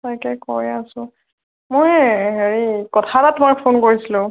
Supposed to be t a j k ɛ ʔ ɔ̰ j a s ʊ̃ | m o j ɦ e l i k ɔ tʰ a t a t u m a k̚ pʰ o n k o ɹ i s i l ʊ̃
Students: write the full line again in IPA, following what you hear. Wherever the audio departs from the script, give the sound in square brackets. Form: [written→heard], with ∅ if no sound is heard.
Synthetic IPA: t a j k ɛ [ʔ→k] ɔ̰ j a s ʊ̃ | m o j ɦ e [l→ɹ] i k ɔ tʰ a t a t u m a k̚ pʰ o n k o ɹ i s i l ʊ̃